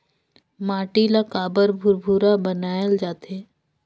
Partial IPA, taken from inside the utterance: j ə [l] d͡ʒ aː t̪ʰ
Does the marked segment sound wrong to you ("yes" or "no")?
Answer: no